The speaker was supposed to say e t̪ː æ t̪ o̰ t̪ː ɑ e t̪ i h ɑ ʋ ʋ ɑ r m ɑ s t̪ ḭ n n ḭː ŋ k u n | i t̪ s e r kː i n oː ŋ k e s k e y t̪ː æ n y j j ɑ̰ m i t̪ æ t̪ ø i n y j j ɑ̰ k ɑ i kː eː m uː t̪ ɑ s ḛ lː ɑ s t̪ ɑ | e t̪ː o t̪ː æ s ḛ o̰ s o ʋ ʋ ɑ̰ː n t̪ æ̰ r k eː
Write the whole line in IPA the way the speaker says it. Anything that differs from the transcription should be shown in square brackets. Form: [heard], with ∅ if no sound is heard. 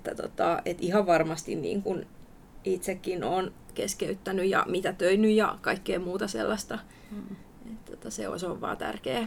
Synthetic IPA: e t̪ː æ t̪ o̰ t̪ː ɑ e t̪ i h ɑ ʋ ʋ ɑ r m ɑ s t̪ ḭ n n ḭː ŋ k u n | i t̪ s e [∅] kː i n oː [n] k e s k e y t̪ː æ n y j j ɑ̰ m i t̪ æ t̪ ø i n y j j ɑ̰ k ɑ i kː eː m uː t̪ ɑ s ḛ lː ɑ s t̪ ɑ | e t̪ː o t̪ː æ s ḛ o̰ s o ʋ ʋ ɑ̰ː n t̪ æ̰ r k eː